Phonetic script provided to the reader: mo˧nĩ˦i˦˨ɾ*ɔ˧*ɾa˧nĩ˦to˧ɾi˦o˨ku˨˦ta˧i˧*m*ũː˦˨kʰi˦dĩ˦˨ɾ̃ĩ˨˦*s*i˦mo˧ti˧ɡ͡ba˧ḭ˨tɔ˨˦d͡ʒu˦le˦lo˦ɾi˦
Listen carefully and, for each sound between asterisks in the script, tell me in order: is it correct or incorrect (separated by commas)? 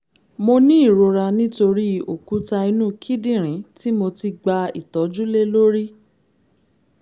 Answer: incorrect, incorrect, incorrect